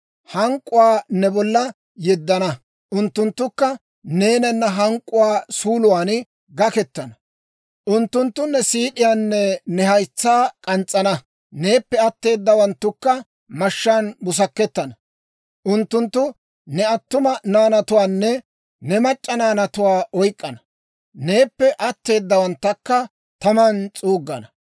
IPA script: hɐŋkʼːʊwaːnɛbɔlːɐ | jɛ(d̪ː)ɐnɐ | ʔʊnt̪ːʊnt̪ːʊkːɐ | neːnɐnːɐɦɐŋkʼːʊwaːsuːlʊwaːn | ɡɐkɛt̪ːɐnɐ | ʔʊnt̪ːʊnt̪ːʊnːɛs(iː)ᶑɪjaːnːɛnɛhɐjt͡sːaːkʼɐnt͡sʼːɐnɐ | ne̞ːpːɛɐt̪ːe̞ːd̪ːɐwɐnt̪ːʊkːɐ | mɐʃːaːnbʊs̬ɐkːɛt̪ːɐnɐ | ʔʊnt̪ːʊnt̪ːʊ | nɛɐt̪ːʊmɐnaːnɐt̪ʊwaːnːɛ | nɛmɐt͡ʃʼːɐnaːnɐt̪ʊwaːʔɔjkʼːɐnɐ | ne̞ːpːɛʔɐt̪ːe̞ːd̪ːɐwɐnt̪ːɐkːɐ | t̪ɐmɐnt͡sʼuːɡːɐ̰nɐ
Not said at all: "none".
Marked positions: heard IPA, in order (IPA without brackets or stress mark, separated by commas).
d̪ː, iː